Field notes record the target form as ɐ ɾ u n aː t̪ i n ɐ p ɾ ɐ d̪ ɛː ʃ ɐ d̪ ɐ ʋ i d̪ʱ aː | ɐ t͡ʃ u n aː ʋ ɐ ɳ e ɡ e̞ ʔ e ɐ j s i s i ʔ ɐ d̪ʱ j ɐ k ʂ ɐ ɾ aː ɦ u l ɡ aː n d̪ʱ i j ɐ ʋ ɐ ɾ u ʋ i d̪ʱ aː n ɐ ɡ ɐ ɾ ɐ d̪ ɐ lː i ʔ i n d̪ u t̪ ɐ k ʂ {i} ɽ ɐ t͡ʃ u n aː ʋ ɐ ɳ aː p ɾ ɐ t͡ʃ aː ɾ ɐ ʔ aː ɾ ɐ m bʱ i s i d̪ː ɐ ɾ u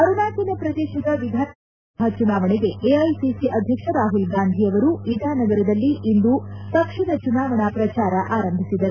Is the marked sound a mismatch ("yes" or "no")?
no